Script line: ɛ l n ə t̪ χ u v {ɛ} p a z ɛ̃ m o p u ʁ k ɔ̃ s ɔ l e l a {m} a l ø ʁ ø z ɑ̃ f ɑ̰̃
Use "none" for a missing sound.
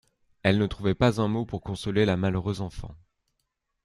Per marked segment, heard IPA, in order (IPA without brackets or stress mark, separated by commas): ɛ, m